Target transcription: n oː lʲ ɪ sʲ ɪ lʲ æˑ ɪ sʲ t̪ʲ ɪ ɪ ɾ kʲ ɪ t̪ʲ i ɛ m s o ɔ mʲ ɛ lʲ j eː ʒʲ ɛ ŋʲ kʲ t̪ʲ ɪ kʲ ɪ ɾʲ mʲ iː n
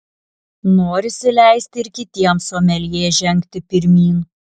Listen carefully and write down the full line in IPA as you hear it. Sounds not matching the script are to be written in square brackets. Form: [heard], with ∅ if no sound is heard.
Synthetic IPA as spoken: n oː [ɾʲ] ɪ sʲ ɪ lʲ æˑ ɪ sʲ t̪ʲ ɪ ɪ ɾ kʲ ɪ t̪ʲ i ɛ m s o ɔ mʲ ɛ lʲ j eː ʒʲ ɛ ŋʲ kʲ t̪ʲ ɪ [pʲ] ɪ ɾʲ mʲ iː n

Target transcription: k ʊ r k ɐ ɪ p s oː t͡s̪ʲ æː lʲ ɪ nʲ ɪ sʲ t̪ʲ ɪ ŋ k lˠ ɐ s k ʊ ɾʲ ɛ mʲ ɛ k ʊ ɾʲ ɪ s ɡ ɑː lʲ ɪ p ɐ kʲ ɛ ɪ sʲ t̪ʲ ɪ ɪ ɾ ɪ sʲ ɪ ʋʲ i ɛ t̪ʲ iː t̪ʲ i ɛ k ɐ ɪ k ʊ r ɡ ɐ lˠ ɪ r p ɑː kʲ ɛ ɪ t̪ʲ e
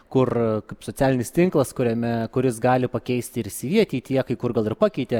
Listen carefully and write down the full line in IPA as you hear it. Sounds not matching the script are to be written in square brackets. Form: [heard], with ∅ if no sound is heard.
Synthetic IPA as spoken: k ʊ r k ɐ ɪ p s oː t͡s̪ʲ æː lʲ ɪ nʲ ɪ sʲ t̪ʲ ɪ ŋ k lˠ ɐ s k ʊ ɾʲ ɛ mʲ ɛ k ʊ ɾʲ ɪ s ɡ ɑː lʲ ɪ p ɐ kʲ ɛ ɪ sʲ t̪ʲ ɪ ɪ ɾ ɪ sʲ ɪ ʋʲ i ɛ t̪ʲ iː t̪ʲ i ɛ k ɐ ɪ k ʊ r ɡ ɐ lˠ ɪ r p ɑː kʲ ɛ ɪ t̪ʲ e

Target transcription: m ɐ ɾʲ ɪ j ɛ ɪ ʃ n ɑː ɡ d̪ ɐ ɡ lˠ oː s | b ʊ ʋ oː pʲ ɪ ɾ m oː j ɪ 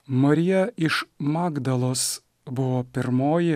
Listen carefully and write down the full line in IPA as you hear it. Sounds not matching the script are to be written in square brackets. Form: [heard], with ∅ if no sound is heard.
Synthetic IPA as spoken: m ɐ ɾʲ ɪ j ɛ ɪ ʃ [m] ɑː ɡ d̪ ɐ [∅] lˠ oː s | b ʊ ʋ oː pʲ ɪ ɾ m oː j ɪ

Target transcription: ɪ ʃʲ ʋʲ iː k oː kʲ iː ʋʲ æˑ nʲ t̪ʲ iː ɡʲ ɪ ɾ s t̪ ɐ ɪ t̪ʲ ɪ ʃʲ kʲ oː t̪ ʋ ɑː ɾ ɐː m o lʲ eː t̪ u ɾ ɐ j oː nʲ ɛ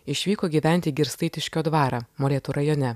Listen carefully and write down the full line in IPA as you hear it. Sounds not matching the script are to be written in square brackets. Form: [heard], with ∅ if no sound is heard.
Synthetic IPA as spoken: ɪ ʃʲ ʋʲ iː k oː [ɡʲ] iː ʋʲ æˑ nʲ t̪ʲ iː ɡʲ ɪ ɾ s t̪ ɐ ɪ t̪ʲ ɪ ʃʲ kʲ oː [d̪] ʋ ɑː ɾ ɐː m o lʲ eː t̪ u ɾ ɐ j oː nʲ ɛ

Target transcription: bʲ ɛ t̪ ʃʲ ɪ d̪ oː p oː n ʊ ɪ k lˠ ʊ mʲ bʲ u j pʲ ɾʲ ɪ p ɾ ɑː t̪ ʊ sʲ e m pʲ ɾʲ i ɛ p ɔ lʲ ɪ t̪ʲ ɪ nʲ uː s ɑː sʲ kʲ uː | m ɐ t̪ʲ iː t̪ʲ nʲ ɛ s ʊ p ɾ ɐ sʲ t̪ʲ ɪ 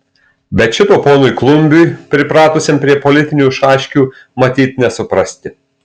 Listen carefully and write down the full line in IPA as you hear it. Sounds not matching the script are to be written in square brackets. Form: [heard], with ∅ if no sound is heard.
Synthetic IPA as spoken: bʲ ɛ t̪ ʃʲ ɪ [t̪] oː p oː n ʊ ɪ k lˠ ʊ mʲ bʲ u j pʲ ɾʲ ɪ p ɾ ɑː t̪ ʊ sʲ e m pʲ ɾʲ i ɛ p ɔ lʲ ɪ t̪ʲ ɪ nʲ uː [ʃ] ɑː [ʃʲ] kʲ uː | m ɐ t̪ʲ iː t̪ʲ nʲ ɛ s ʊ p ɾ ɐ sʲ t̪ʲ ɪ

